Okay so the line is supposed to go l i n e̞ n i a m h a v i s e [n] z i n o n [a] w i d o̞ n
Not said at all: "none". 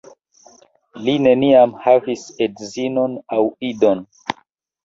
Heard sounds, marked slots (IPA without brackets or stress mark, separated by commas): d, a